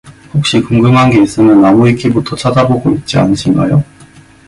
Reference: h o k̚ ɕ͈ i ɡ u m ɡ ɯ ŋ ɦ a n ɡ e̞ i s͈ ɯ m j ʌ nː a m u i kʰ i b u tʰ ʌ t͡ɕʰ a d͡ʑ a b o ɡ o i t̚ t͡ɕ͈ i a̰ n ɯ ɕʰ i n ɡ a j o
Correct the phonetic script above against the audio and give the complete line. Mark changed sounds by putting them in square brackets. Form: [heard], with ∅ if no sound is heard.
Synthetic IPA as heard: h o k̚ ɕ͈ i [k] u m ɡ ɯ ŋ ɦ a n ɡ e̞ i s͈ ɯ m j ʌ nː a m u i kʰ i b u tʰ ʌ t͡ɕʰ a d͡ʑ a b o ɡ o i t̚ t͡ɕ͈ i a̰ n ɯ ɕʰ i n ɡ a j o